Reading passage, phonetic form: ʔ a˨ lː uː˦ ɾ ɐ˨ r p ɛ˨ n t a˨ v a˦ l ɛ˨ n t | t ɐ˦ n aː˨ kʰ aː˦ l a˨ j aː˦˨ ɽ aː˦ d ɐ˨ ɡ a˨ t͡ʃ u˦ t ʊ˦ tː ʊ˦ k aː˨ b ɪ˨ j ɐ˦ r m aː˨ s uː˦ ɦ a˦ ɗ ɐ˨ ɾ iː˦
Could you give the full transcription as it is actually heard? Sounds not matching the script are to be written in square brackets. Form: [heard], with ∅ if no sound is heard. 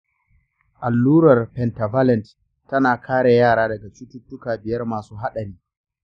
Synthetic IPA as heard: ʔ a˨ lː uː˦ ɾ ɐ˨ r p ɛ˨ n t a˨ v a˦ l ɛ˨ n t | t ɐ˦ n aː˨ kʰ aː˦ [ɽ] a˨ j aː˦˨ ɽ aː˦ d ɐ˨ ɡ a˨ t͡ʃ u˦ t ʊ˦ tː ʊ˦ k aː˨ b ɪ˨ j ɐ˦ r m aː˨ s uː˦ ɦ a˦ ɗ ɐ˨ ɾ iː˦